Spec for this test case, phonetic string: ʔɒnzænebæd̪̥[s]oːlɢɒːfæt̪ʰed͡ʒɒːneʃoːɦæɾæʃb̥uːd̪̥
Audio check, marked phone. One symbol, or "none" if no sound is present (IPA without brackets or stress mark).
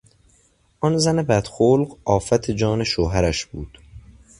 x